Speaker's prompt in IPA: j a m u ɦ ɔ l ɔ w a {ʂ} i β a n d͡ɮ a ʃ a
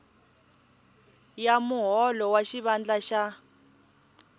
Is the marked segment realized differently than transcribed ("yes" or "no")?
yes